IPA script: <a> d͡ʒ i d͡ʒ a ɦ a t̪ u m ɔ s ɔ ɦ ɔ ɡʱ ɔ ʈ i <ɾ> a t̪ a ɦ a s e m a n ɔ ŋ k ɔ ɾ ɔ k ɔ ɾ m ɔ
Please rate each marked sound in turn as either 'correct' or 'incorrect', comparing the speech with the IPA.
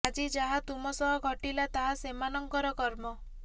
correct, incorrect: l

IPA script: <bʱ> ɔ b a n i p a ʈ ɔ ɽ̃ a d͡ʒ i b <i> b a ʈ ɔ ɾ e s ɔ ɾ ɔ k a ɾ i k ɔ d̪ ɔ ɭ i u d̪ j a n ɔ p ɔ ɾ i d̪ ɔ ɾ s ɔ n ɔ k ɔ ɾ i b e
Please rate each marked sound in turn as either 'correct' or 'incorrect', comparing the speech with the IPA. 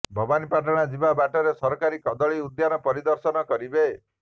correct, incorrect: a

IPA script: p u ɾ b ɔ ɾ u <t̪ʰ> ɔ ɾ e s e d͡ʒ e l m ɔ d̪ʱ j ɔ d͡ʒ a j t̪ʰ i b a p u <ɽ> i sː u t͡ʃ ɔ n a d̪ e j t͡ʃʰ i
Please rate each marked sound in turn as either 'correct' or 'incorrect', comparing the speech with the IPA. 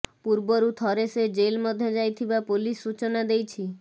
correct, incorrect: l

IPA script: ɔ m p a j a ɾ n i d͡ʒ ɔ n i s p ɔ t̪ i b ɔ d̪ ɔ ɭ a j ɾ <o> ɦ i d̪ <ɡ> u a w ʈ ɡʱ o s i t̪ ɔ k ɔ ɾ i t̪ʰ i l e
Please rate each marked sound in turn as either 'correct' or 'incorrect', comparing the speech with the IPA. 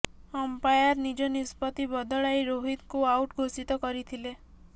correct, incorrect: k

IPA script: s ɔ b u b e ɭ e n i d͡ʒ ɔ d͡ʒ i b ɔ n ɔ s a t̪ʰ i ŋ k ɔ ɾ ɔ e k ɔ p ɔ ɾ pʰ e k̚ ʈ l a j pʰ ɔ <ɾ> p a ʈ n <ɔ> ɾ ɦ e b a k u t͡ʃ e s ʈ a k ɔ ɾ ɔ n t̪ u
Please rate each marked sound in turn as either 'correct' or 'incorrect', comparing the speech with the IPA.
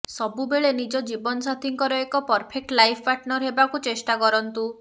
incorrect: none, correct

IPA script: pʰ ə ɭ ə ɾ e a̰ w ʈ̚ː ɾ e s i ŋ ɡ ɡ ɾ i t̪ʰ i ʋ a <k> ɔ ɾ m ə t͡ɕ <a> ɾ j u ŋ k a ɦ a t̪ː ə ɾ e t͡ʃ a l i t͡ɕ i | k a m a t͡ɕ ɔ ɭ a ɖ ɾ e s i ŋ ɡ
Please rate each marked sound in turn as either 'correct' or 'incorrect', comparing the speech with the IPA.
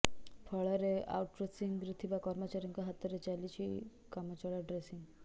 correct, correct

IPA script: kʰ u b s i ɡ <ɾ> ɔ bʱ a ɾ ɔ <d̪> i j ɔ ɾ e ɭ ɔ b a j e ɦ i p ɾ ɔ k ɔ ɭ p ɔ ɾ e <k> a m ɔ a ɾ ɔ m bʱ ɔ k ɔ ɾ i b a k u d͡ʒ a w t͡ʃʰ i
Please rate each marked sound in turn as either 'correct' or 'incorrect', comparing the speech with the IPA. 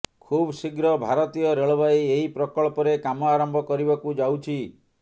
correct, incorrect: t̪, correct

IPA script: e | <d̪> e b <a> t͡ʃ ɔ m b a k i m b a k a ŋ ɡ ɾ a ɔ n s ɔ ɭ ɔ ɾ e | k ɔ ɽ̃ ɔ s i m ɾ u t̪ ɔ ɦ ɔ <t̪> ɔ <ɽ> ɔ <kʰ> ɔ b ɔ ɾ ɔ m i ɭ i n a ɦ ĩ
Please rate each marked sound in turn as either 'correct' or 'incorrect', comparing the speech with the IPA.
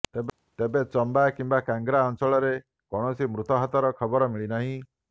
incorrect: t̪, incorrect: e, correct, incorrect: ɾ, correct

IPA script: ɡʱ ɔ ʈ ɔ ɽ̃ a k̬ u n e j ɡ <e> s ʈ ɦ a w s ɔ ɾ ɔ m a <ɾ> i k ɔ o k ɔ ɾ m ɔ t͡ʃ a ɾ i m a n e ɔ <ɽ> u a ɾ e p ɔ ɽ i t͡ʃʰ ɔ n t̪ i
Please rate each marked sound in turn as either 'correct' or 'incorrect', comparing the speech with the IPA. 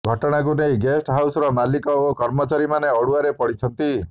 correct, incorrect: l, correct

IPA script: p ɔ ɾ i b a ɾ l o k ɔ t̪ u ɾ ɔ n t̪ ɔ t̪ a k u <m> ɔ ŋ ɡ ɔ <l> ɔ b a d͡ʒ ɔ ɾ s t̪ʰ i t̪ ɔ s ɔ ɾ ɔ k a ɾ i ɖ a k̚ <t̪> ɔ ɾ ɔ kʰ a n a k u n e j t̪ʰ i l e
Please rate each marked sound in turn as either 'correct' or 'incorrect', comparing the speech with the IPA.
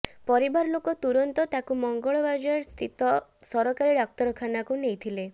correct, incorrect: ɭ, correct

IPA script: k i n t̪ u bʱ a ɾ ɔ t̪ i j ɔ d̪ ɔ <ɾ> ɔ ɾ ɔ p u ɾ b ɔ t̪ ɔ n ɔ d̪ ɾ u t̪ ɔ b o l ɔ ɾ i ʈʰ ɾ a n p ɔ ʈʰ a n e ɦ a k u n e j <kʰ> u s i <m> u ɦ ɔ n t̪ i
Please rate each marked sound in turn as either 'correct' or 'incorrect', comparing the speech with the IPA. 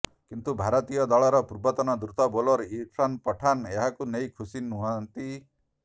incorrect: ɭ, correct, incorrect: n

